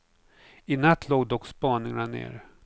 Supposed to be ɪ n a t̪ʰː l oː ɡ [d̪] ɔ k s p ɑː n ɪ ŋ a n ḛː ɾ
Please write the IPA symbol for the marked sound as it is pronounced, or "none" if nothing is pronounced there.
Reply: d̪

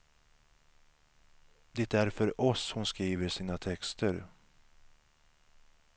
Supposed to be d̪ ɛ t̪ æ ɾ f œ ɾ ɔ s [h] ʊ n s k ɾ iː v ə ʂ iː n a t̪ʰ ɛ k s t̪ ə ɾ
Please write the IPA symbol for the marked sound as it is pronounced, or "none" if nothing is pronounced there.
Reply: h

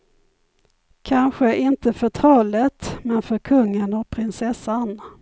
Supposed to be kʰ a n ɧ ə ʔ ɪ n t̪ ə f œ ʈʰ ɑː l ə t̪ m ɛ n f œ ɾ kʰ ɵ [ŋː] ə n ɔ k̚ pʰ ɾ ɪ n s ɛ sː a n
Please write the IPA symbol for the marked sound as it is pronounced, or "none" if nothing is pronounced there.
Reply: ŋː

